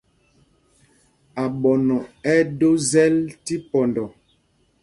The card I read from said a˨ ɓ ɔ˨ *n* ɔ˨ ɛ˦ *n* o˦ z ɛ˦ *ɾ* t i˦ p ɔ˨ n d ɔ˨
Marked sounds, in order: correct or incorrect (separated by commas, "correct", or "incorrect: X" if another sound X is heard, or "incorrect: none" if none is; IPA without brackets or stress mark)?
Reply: correct, incorrect: d, incorrect: l